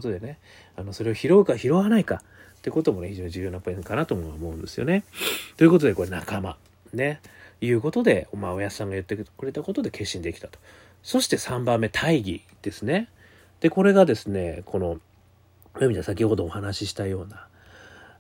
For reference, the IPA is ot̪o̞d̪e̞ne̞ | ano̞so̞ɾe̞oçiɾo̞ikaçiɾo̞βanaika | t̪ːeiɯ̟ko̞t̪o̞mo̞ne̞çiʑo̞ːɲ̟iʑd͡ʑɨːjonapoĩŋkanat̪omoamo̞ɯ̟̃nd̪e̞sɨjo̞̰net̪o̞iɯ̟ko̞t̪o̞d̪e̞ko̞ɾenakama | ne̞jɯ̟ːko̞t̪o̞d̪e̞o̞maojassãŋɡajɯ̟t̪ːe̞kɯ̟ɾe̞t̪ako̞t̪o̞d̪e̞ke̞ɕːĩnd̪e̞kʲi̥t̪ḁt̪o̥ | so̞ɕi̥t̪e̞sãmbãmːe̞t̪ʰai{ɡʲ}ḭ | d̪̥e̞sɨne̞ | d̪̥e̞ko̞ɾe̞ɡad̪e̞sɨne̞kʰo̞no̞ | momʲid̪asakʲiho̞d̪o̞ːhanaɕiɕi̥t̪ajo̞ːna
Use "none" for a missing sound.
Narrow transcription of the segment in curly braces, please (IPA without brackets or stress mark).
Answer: ɡʲ